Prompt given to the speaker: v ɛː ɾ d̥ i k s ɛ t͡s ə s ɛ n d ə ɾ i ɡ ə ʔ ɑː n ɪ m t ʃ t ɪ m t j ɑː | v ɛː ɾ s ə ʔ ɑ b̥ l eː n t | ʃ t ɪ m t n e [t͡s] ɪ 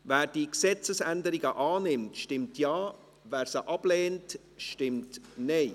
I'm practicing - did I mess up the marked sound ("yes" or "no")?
yes